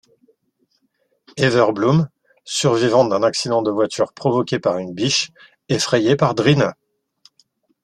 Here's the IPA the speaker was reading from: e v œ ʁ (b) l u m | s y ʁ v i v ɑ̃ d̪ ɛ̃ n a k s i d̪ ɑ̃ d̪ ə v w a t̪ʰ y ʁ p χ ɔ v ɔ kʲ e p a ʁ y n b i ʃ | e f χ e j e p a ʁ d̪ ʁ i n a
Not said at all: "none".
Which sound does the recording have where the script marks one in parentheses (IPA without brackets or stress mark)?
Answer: b